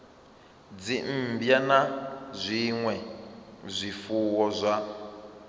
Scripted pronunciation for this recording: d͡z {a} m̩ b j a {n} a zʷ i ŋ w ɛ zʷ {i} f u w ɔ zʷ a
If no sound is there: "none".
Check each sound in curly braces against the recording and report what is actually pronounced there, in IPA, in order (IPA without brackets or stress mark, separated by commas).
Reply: i, n, i